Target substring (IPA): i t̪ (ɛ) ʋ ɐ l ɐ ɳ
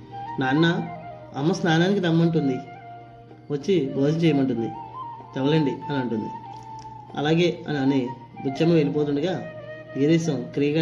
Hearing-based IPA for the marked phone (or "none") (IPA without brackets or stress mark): ɛ